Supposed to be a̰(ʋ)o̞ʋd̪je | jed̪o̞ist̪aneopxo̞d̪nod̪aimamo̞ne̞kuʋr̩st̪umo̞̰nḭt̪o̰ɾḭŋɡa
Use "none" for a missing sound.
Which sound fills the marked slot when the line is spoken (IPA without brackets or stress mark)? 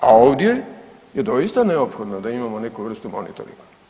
none